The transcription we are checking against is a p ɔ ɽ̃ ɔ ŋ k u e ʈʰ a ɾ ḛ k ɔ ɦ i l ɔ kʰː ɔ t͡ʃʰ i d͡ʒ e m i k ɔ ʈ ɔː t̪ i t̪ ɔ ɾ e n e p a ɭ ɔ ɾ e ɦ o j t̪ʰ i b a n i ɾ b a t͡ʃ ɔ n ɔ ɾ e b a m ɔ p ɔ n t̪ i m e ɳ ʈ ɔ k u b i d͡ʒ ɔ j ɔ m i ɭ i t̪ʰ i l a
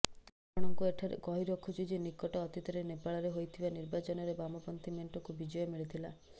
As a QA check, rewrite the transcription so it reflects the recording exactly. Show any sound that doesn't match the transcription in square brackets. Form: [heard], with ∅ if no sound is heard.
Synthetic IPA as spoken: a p ɔ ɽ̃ ɔ ŋ k u e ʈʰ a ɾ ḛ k ɔ ɦ i [ɾ] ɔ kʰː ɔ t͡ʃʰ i d͡ʒ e [n] i k ɔ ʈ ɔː t̪ i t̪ ɔ ɾ e n e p a ɭ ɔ ɾ e ɦ o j t̪ʰ i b a n i ɾ b a t͡ʃ ɔ n ɔ ɾ e b a m ɔ p ɔ n t̪ i m e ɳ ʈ ɔ k u b i d͡ʒ ɔ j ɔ m i ɭ i t̪ʰ i l a